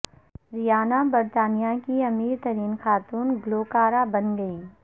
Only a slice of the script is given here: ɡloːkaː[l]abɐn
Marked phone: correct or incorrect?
incorrect